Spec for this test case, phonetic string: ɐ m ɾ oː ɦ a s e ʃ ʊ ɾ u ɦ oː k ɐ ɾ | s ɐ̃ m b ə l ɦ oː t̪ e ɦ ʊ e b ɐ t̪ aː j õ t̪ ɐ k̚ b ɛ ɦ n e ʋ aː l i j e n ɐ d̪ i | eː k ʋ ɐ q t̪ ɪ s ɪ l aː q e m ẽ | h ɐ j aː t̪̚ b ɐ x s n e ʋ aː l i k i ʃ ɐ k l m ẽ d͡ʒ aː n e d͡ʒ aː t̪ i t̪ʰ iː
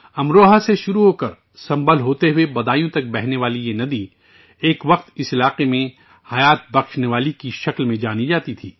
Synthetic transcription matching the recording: ɐ m ɾ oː ɦ a s e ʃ ʊ ɾ u ɦ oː k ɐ ɾ | s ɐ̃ m b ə l ɦ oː t̪ e ɦ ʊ e b ɐ d̪ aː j õ t̪ ɐ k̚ b ɛ ɦ n e ʋ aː l i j e n ɐ d̪ i | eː k ʋ ɐ q t̪ ɪ s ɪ l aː q e m ẽ | h ɐ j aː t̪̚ b ɐ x ʃ n e ʋ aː l i k i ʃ ɐ k l m ẽ d͡ʒ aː n i d͡ʒ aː t̪ i t̪ʰ iː